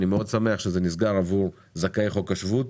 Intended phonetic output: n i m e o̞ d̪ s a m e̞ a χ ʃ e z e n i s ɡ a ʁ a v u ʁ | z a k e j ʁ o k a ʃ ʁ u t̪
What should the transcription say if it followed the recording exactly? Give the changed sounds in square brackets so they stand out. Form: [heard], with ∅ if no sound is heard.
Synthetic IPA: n i m e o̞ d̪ s a m e̞ a χ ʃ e z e n i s ɡ a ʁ a v u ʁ | z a k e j [χ] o k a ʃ [v] u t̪